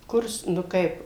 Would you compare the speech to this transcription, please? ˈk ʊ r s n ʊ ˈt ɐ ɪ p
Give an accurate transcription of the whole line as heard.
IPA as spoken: ˈk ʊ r s n ʊ ˈk ɐ ɪ p